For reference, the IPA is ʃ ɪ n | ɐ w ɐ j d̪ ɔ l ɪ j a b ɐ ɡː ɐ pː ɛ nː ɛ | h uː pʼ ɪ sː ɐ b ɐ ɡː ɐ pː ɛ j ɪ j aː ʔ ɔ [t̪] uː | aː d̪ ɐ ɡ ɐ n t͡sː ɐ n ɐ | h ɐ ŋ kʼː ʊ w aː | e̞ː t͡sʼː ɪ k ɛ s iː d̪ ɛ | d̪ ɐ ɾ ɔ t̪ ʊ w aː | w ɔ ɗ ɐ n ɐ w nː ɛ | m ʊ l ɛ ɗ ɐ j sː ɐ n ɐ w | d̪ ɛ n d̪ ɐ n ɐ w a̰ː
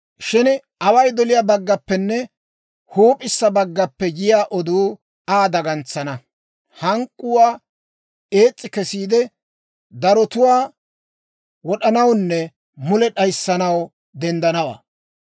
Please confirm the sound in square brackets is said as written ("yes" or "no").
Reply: no